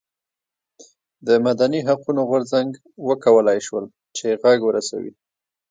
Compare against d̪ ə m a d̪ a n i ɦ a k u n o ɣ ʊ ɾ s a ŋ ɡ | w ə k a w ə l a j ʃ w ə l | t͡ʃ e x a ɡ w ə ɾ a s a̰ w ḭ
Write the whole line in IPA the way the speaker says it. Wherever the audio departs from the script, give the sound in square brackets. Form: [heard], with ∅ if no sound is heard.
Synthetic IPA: d̪ ə m a d̪ a n i ɦ a [q] u n o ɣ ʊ ɾ [z] a ŋ ɡ | w ə k a w ə l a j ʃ w ə l | t͡ʃ e [ɣ] a ɡ w ə ɾ a s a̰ w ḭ